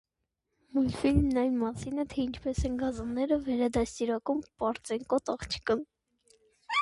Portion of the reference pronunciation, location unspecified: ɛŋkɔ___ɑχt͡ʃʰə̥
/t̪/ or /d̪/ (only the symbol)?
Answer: t̪